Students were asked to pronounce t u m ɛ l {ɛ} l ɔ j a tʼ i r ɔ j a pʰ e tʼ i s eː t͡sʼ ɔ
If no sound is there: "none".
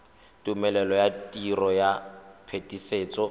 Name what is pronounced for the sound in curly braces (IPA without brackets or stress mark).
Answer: ɛ